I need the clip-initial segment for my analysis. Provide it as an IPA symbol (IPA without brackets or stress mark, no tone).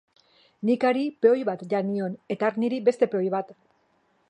n